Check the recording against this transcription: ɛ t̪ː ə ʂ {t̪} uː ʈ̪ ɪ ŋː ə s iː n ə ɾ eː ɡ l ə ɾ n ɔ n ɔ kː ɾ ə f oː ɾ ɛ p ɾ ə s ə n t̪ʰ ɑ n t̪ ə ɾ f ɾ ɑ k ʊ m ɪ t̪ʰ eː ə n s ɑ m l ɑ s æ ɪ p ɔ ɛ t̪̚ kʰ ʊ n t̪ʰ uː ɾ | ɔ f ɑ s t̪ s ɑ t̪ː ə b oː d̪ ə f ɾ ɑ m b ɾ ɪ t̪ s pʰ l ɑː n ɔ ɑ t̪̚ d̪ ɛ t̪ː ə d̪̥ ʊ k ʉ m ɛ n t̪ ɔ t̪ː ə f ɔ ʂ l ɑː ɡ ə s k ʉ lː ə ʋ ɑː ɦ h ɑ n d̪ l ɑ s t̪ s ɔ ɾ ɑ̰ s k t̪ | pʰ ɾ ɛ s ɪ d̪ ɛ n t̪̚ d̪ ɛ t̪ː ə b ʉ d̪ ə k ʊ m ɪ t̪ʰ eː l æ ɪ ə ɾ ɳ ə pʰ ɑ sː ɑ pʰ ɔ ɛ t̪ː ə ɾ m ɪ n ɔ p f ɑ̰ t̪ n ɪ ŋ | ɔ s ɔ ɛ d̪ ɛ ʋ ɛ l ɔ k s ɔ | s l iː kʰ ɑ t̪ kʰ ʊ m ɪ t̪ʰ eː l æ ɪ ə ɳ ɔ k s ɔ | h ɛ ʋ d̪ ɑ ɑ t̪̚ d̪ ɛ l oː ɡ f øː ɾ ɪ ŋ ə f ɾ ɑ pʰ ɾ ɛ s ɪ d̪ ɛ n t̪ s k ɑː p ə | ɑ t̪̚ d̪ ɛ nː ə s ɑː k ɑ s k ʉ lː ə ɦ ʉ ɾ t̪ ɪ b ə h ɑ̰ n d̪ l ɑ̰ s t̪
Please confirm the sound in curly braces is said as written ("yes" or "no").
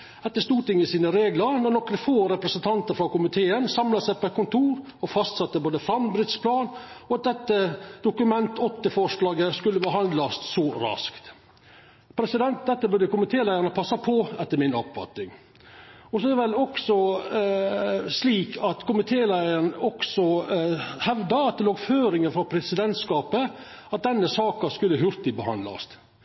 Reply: yes